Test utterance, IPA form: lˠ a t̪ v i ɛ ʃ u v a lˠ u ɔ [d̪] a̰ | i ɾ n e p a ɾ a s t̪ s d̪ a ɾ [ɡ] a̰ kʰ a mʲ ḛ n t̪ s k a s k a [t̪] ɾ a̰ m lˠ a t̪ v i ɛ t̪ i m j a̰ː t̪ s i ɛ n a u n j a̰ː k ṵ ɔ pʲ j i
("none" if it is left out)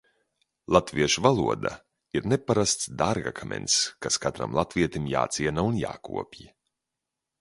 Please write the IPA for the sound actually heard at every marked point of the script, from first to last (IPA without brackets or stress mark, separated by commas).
d̪, ɡ, t̪